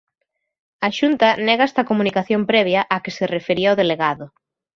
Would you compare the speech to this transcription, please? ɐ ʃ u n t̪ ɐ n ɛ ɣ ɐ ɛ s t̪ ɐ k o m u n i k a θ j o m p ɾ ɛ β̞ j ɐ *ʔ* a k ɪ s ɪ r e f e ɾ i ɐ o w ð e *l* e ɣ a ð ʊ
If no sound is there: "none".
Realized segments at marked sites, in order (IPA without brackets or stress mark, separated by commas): ʔ, l